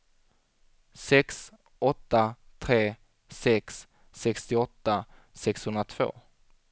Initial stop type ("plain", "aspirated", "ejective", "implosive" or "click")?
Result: plain